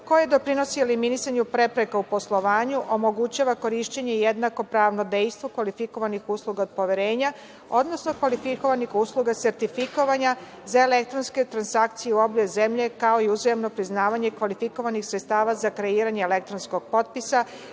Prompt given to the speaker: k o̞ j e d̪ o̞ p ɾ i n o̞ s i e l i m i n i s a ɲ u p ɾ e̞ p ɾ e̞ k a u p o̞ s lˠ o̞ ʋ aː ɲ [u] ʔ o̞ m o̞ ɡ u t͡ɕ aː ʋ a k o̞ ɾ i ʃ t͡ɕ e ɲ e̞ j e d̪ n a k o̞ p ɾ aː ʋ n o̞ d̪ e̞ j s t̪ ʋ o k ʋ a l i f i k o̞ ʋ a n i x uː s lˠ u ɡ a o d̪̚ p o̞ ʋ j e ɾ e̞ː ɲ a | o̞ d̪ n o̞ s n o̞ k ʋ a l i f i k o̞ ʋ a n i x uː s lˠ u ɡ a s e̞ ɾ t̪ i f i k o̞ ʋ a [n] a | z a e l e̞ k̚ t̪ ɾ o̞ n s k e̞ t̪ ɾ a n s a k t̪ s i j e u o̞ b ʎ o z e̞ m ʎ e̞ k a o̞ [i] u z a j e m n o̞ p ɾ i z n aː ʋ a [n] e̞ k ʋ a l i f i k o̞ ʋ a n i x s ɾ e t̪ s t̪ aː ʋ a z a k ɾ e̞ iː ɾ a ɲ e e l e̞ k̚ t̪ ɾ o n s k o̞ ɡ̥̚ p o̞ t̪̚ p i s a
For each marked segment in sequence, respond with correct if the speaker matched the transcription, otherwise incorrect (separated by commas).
correct, incorrect, correct, incorrect